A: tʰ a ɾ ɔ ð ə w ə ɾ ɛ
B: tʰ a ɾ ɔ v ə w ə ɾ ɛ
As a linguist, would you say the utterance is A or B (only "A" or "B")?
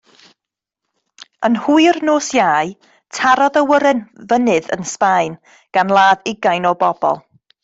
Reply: A